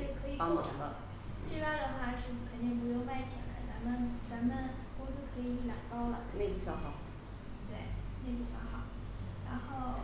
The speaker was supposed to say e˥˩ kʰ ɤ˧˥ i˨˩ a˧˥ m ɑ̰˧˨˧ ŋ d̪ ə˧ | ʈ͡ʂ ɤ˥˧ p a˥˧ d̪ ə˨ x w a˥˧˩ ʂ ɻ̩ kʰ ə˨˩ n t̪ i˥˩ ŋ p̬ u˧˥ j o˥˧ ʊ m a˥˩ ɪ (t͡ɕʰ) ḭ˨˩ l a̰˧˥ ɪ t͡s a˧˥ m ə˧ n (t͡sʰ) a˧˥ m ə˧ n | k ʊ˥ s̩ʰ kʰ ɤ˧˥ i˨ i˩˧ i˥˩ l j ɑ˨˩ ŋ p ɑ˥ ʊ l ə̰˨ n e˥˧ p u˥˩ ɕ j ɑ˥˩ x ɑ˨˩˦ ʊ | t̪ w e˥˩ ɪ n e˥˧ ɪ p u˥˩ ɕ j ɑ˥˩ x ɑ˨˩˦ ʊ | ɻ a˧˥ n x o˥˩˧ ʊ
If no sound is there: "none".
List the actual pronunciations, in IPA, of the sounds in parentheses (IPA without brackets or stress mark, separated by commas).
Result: t͡ɕʰ, t͡s